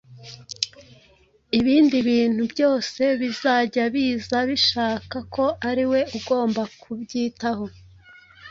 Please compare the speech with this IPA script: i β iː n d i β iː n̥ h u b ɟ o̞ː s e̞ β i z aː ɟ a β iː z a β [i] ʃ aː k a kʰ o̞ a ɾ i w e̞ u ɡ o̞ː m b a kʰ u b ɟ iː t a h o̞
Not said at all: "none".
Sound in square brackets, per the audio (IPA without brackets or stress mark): i